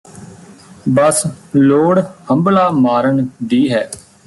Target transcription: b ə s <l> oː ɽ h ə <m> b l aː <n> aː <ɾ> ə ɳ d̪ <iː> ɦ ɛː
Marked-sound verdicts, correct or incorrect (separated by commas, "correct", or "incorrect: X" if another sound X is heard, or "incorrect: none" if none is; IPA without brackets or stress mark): correct, correct, incorrect: m, correct, correct